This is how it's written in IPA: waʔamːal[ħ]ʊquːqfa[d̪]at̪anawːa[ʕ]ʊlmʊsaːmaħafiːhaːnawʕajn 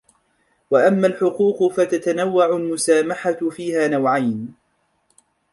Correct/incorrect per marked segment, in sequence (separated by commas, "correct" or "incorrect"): correct, incorrect, correct